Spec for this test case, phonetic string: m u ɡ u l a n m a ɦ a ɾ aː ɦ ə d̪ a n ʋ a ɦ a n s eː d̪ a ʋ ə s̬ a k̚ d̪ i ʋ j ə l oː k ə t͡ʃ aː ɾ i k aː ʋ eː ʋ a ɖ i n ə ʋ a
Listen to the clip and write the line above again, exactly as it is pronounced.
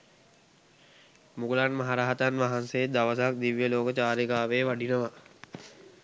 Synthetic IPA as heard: m u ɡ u l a n m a ɦ a ɾ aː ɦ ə t̪ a n ʋ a ɦ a n s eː d̪ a ʋ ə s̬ a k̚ d̪ i ʋ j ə l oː k ə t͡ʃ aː ɾ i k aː ʋ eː ʋ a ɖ i n ə ʋ a